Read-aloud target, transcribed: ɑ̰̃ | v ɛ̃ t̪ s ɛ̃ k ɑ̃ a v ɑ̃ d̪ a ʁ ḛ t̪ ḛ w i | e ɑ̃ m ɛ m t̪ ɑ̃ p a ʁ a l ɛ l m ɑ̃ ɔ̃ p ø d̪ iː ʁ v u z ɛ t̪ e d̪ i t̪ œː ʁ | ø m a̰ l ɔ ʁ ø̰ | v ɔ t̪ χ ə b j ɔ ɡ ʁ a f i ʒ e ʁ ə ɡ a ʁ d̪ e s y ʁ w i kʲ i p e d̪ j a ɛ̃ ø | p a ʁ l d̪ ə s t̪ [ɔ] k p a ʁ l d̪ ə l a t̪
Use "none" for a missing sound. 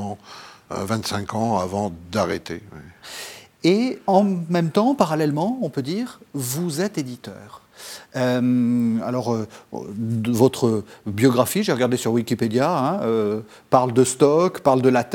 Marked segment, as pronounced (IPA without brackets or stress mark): ɔ